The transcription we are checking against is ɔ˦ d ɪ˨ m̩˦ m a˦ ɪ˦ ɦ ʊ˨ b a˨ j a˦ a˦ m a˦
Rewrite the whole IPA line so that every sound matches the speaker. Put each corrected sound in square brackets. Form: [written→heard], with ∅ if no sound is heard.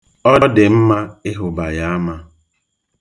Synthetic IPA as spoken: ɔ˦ d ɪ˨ m̩˦ m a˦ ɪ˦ ɦ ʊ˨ b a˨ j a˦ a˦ m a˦